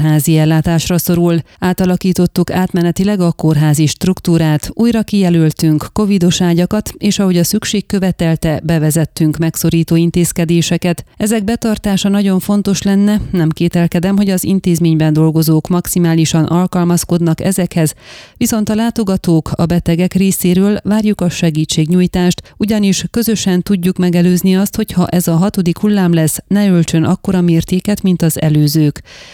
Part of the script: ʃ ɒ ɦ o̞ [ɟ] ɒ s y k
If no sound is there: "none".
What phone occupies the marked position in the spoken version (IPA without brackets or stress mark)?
ɟ